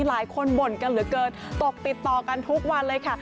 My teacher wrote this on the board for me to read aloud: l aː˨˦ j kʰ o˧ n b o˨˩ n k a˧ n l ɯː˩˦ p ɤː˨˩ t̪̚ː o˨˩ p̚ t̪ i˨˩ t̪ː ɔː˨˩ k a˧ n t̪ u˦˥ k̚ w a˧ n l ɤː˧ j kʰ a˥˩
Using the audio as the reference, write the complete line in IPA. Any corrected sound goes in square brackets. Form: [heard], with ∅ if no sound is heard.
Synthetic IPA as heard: l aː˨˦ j kʰ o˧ n b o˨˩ n k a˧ n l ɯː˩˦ [k] ɤː˨˩ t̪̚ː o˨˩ [k̚] t̪ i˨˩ t̪ː ɔː˨˩ k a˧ n [t̪ʰ] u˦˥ k̚ w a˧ n l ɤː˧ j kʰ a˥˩